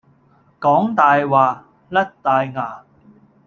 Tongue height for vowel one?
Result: mid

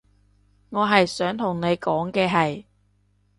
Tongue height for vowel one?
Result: mid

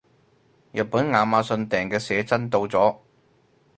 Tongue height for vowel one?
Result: low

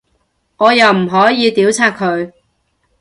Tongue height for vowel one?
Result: mid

